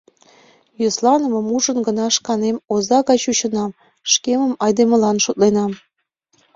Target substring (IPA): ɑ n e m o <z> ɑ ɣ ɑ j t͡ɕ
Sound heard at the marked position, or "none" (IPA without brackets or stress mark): z